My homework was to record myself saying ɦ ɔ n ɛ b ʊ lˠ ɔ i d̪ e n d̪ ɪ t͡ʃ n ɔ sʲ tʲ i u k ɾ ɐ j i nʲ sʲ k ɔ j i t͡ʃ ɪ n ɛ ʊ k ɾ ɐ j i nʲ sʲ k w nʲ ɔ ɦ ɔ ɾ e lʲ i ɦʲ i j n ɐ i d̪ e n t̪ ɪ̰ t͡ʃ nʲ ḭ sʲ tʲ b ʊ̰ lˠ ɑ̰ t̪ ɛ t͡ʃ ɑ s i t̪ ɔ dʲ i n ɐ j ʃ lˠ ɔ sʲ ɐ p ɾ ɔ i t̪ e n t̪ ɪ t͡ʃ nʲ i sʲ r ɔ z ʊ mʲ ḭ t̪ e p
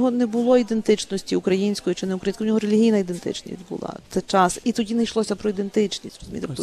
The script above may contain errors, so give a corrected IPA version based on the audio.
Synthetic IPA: ɦ ɔ n ɛ b ʊ lˠ ɔ i d̪ e n t̪ ɪ t͡ʃ n ɔ sʲ tʲ i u k ɾ ɐ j i nʲ sʲ k ɔ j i t͡ʃ ɪ n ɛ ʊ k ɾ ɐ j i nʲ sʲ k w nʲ ɔ ɦ ɔ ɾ e lʲ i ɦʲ i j n ɐ i d̪ e n t̪ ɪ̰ t͡ʃ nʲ ḭ sʲ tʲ b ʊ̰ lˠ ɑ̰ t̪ ɛ t͡ʃ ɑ s i t̪ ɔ dʲ i n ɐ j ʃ lˠ ɔ sʲ ɐ p ɾ ɔ i d̪ e n t̪ ɪ t͡ʃ nʲ i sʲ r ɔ z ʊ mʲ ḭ t̪ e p